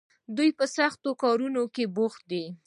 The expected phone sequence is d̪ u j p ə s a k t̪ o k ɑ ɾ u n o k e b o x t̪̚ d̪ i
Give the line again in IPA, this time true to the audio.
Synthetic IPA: d̪ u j p ə s a x t̪ o k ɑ ɾ u n o k e b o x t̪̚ d̪ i